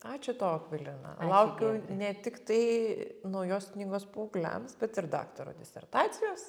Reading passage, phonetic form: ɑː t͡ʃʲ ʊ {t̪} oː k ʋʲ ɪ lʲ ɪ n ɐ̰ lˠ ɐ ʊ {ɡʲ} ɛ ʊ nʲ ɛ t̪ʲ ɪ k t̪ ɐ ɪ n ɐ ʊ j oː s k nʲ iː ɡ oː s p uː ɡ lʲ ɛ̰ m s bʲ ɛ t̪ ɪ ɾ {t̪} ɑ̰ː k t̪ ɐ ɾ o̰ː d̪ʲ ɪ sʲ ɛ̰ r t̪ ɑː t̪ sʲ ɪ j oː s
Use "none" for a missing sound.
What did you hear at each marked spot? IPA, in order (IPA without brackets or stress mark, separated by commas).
t̪, kʲ, d̪